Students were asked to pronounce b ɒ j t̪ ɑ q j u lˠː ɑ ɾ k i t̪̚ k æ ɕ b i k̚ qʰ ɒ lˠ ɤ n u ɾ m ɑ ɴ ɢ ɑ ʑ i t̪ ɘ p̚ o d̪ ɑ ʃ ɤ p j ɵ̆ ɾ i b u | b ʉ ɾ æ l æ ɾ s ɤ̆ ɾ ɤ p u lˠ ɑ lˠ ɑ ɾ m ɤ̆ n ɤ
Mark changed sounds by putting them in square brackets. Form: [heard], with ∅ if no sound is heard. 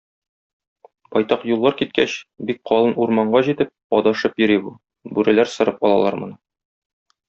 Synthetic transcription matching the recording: b ɒ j t̪ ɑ q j u lˠː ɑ ɾ k i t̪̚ k æ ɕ b i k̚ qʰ ɒ lˠ ɤ n u ɾ m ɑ ɴ ɢ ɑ ʑ i t̪ ɘ p̚ [ɒ] d̪ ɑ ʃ ɤ p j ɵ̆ ɾ i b u | b ʉ ɾ æ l æ ɾ s ɤ̆ ɾ ɤ p [ɒ] lˠ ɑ lˠ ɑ ɾ m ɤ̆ n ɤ